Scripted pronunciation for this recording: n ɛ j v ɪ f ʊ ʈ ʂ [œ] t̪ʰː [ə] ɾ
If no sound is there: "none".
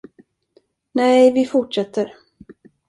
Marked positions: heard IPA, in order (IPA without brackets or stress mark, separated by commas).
ɛ, ə